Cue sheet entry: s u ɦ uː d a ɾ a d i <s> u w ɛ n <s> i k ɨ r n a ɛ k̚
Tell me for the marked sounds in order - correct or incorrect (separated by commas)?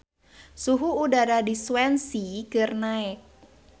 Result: correct, correct